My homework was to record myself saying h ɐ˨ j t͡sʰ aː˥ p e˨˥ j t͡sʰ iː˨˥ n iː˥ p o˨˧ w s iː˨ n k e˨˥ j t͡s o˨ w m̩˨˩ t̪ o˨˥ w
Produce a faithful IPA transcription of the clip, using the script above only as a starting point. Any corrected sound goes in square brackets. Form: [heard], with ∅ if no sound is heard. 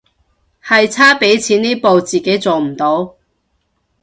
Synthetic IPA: h ɐ˨ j t͡sʰ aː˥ p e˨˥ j t͡sʰ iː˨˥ n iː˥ p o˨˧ w [t͡s] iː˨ [∅] k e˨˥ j t͡s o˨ w m̩˨˩ t̪ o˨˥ w